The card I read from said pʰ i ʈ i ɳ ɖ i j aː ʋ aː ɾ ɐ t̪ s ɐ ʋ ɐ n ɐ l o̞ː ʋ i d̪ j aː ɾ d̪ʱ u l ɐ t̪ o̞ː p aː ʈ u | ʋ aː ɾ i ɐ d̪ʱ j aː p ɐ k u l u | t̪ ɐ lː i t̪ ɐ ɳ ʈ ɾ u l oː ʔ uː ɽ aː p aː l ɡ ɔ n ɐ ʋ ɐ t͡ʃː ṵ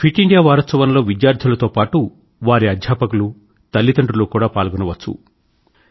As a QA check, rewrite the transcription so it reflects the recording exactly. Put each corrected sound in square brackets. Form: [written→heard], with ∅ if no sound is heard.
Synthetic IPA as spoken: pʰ i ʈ i ɳ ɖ i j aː ʋ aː ɾ ɐ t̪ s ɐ ʋ ɐ n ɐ l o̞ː ʋ i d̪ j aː ɾ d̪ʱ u l ɐ t̪ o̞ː p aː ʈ u | ʋ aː ɾ i ɐ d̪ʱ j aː p ɐ k u l u | t̪ ɐ lː i t̪ ɐ ɳ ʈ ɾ u l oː [ʔ→k] uː ɽ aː p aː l ɡ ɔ n ɐ ʋ ɐ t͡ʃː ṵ

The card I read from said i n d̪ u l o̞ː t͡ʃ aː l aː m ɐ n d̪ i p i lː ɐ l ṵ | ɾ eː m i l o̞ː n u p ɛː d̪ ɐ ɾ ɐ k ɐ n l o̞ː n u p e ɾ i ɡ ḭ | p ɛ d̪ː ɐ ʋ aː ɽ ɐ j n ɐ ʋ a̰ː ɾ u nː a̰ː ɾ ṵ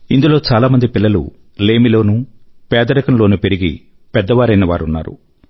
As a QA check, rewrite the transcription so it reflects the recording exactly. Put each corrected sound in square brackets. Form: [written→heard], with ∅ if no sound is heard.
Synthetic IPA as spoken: i n d̪ u l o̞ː t͡ʃ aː l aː m ɐ n d̪ i p i lː ɐ l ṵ | [ɾ→l] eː m i l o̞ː n u p ɛː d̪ ɐ ɾ ɐ k ɐ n l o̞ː n u p e ɾ i ɡ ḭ | p ɛ d̪ː ɐ ʋ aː [ɽ→ɾ] ɐ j n ɐ ʋ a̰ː ɾ u nː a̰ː ɾ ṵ

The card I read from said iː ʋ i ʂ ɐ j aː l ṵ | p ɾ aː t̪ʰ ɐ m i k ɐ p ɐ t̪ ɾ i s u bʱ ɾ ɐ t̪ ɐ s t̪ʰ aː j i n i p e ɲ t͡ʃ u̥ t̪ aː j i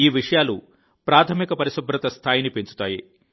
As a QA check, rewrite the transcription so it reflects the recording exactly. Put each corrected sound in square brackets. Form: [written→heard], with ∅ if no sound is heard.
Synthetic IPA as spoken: iː ʋ i ʂ ɐ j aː l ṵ | p ɾ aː t̪ʰ ɐ m i k ɐ p ɐ [t̪→∅] ɾ i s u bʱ ɾ ɐ t̪ ɐ s t̪ʰ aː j i n i p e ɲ t͡ʃ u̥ t̪ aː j i

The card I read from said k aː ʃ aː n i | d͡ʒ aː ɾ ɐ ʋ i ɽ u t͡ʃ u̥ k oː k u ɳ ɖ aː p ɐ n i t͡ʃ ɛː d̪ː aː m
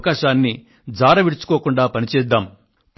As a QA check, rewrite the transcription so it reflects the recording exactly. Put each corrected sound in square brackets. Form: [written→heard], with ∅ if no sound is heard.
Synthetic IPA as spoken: k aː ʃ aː [n→nː] i | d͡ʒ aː ɾ ɐ ʋ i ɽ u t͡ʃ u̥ k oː k u ɳ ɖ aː p ɐ n i t͡ʃ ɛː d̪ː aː m

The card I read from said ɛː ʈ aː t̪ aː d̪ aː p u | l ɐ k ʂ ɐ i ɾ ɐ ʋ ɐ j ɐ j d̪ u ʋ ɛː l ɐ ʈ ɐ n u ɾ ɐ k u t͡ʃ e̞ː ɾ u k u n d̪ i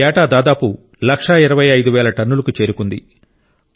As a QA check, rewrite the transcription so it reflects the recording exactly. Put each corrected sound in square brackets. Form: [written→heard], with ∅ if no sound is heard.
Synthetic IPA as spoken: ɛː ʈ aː [t̪→d̪] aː d̪ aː p u | l ɐ k ʂ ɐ i ɾ ɐ ʋ ɐ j ɐ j d̪ u ʋ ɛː l ɐ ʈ ɐ [n→nː] u [ɾ→l] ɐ k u t͡ʃ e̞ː ɾ u k u n d̪ i

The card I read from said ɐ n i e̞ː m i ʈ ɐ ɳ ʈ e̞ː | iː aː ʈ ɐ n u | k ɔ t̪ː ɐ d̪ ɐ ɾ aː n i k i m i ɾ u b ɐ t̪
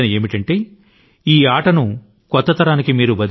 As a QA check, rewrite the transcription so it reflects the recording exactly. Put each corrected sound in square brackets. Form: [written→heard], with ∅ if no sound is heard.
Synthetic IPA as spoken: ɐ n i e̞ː m i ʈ ɐ ɳ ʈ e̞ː | iː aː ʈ ɐ n u | k ɔ t̪ː ɐ [d̪→t̪] ɐ ɾ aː n i k i m [i→iː] ɾ u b ɐ [t̪→d̪]

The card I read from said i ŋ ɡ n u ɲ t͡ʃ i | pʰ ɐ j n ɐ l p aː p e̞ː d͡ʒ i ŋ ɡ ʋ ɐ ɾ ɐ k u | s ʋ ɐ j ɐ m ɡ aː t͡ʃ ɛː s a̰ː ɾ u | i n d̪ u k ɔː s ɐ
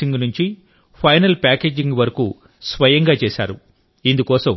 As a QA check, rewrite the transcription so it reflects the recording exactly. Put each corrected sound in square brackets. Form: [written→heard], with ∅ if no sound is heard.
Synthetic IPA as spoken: i ŋ ɡ n u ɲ t͡ʃ i | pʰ ɐ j n ɐ l p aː [p→k] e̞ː d͡ʒ i ŋ ɡ ʋ ɐ ɾ ɐ k u | s ʋ ɐ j ɐ [m→ŋ] ɡ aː t͡ʃ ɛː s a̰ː ɾ u | i n d̪ u k ɔː s ɐ

